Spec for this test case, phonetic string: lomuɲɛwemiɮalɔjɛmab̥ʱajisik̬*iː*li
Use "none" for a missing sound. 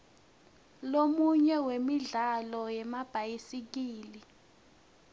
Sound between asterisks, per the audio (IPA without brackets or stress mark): iː